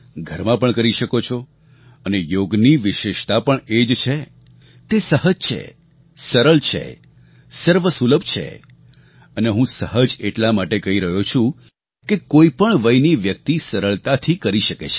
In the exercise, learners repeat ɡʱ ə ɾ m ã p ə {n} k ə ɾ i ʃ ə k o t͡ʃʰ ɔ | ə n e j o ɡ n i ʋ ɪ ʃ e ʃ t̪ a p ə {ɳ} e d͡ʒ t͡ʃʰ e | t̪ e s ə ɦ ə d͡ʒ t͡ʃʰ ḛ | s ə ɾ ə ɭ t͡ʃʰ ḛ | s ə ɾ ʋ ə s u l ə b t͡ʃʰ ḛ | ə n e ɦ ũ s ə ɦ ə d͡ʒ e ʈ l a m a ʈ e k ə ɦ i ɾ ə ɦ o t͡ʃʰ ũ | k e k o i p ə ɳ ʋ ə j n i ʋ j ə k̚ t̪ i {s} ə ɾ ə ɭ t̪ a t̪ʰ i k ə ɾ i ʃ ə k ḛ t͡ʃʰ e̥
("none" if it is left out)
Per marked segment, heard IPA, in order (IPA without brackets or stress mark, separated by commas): ɳ, ɳ, s